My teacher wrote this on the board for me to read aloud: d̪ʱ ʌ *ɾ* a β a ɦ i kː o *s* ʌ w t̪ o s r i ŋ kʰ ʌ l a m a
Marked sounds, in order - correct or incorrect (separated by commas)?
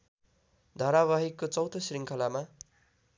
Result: correct, incorrect